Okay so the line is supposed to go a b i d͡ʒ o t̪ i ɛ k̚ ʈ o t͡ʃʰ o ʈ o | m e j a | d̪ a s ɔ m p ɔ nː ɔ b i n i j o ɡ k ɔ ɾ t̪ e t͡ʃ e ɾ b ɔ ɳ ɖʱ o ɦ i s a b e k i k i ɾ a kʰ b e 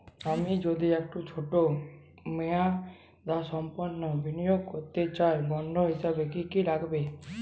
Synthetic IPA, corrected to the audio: a m i d͡ʒ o d̪ i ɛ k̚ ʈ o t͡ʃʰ o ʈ o | m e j a | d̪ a s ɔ m p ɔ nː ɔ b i n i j o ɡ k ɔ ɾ t̪ e t͡ʃ a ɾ b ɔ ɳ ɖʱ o ɦ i s a b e k i k i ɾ a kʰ b e